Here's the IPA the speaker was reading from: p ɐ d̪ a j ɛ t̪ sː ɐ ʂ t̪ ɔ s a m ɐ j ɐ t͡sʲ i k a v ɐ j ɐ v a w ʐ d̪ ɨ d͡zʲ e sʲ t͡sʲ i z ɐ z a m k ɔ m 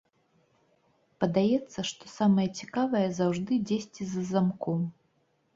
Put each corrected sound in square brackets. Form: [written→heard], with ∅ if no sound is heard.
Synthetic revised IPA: p ɐ d̪ a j ɛ t̪ sː ɐ ʂ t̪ ɔ s a m ɐ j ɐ t͡sʲ i k a v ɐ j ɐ [v→z] a w ʐ d̪ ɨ d͡zʲ e sʲ t͡sʲ i z ɐ z a m k ɔ m